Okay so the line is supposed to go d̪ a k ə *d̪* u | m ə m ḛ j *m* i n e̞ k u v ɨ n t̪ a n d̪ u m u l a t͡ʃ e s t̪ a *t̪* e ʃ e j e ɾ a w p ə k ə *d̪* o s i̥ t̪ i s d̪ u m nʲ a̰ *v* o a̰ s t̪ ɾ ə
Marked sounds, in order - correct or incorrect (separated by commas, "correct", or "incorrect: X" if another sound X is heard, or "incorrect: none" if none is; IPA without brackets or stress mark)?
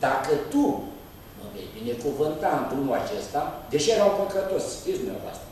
incorrect: t̪, incorrect: b, incorrect: d̪, incorrect: t̪, correct